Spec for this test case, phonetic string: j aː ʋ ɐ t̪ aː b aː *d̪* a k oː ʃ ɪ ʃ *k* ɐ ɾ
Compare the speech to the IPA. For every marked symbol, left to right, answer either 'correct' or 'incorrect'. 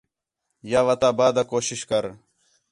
correct, correct

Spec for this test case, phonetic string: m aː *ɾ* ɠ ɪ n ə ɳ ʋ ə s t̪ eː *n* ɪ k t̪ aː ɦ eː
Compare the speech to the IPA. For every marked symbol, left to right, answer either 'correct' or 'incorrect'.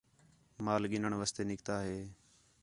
incorrect, correct

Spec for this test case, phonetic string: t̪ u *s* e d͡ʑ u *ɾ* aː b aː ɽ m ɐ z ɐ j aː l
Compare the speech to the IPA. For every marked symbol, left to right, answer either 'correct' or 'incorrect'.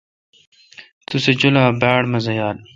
correct, incorrect

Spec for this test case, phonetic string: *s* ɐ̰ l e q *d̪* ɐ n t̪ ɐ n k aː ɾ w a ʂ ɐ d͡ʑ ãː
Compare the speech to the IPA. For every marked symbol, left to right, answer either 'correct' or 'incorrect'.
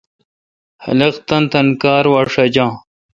incorrect, incorrect

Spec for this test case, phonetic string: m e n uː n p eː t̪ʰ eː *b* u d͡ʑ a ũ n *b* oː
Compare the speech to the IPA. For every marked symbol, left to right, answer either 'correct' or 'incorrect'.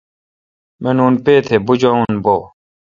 correct, correct

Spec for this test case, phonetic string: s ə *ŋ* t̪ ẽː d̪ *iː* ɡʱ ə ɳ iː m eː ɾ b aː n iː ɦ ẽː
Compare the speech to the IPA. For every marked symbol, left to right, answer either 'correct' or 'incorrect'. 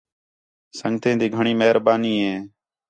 correct, correct

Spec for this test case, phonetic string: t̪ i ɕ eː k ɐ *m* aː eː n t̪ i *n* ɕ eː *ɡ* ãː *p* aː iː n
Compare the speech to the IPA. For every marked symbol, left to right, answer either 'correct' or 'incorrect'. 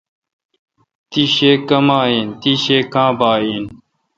correct, incorrect, incorrect, incorrect

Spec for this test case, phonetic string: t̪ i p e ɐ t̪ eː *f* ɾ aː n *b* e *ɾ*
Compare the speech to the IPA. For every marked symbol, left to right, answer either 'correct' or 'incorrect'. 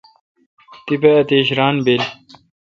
incorrect, correct, incorrect

